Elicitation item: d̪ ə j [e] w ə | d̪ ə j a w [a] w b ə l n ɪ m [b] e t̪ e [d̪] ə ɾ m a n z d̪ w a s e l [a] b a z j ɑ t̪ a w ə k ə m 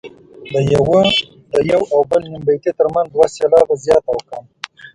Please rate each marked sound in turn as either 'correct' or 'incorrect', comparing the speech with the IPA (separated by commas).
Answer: incorrect, correct, correct, incorrect, incorrect